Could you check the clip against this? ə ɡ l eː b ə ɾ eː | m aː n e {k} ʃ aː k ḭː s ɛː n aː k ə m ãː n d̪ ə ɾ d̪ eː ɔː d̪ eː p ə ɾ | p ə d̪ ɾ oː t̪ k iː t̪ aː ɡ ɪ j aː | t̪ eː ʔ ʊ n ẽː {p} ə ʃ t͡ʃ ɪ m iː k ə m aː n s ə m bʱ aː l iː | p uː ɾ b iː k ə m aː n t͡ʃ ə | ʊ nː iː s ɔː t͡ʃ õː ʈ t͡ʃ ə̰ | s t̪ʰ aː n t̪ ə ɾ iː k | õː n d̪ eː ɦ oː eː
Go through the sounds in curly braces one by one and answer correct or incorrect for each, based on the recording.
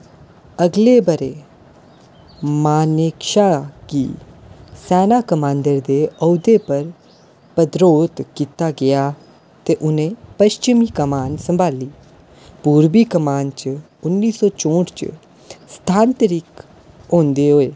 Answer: correct, correct

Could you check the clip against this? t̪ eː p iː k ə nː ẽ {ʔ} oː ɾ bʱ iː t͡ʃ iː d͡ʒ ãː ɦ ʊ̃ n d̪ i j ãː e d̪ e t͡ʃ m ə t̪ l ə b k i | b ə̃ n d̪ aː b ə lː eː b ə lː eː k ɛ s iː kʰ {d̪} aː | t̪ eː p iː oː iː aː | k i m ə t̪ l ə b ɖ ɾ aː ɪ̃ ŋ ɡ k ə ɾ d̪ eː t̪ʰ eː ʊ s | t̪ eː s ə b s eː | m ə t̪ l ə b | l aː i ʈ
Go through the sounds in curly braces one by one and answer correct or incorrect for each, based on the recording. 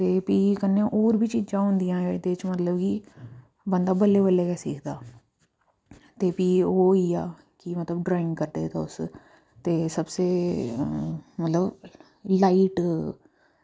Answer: correct, correct

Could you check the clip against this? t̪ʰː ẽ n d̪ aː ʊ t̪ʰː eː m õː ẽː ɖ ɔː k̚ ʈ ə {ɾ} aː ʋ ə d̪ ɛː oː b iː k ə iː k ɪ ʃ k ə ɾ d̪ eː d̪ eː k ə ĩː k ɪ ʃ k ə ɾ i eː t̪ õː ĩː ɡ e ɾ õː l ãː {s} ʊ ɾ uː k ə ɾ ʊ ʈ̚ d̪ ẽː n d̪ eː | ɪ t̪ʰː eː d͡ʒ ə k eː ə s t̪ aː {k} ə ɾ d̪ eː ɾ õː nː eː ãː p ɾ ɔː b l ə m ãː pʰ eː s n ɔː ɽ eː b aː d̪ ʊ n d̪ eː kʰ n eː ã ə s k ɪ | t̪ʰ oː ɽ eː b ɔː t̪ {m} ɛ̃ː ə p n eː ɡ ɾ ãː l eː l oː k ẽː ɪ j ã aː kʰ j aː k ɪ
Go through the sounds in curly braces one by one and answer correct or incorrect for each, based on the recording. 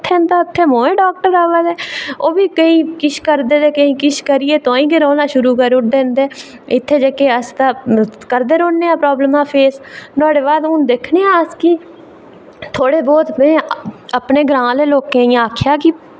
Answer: correct, incorrect, correct, correct

